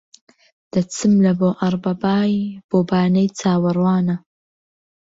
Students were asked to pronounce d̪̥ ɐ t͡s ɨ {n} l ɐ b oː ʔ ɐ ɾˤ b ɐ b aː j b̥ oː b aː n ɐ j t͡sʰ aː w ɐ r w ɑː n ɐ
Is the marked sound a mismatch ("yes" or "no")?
yes